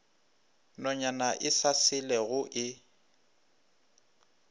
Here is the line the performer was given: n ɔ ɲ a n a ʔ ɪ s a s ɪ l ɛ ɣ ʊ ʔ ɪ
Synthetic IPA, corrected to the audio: n ɔ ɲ a n a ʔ ɪ s a s ɪ l ɛ ɣ ʊ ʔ ɪ